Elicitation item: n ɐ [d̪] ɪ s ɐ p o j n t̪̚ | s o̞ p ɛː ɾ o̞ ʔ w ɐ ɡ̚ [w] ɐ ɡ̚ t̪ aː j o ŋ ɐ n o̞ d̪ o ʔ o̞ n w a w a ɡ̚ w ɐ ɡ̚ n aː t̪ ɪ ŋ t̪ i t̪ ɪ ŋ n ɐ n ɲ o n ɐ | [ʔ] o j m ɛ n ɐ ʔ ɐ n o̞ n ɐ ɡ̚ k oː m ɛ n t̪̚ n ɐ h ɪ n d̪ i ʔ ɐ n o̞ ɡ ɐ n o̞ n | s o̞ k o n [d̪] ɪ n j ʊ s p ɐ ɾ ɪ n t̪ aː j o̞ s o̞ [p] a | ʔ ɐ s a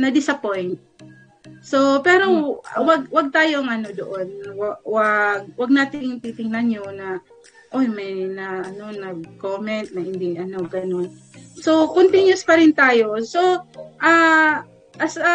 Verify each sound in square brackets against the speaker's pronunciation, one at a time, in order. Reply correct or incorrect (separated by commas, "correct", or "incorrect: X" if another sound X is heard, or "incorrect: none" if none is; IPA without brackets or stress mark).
correct, correct, correct, incorrect: t̪, incorrect: ʔ